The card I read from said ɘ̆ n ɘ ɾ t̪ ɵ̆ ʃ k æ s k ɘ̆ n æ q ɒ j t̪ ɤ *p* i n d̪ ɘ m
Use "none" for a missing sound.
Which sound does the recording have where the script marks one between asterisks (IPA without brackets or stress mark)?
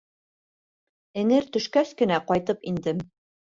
p